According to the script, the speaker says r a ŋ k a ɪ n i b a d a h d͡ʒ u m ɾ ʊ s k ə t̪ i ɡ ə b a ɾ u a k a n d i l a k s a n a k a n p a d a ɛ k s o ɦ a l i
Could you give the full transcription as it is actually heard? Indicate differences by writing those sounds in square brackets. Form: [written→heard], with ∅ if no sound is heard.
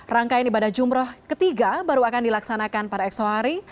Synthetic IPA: r a ŋ k a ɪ n i b a d a h d͡ʒ u m ɾ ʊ [s→h] k ə t̪ i ɡ [ə→a] b a ɾ u a k a n d i l a k s a n a k a n p a d a ɛ k s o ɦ a [l→ɾ] i

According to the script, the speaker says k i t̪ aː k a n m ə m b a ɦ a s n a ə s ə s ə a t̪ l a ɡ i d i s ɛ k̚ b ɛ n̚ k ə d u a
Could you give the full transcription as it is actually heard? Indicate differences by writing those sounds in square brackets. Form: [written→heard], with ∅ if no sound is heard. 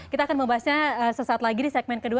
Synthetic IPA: k i t̪ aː k a n m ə m b a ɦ a s [n→ɲ] a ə s ə s [ə→a] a t̪ l a ɡ i d i s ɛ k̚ [b→m] ɛ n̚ k ə d u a

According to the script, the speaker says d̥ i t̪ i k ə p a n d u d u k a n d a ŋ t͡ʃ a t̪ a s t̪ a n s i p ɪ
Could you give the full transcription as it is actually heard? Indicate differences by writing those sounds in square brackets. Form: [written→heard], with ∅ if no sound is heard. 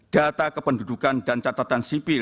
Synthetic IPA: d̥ [i→a] t̪ [i→a] k ə p [a→ə] n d u d u k a n d a [ŋ→n] t͡ʃ a t̪ a [s→∅] t̪ a n s i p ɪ

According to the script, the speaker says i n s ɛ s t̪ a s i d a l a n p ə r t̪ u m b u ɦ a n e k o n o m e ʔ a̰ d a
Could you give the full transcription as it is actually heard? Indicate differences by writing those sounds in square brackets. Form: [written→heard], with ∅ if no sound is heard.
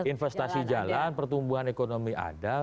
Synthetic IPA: i n [s→f] ɛ s t̪ a s i [d→d͡ʒ] a l a n p ə r t̪ u m b u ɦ a n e k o n o m [e→i] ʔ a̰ d a

